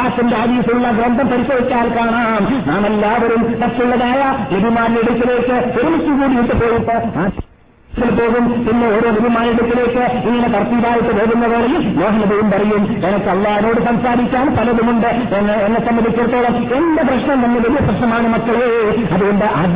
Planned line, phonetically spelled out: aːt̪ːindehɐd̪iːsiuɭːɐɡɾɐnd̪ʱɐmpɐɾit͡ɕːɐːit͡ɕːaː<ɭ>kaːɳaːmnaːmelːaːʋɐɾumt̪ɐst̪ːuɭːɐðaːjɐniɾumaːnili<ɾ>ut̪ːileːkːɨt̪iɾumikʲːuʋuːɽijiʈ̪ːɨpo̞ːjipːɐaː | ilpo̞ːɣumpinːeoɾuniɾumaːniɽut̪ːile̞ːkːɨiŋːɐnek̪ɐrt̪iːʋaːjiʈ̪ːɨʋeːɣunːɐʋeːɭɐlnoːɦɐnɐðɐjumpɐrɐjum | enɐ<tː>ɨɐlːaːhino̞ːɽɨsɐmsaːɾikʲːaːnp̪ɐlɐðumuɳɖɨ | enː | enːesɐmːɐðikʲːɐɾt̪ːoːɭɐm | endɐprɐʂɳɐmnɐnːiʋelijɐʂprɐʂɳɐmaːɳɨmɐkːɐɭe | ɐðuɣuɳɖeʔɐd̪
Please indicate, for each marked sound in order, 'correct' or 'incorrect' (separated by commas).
incorrect, incorrect, incorrect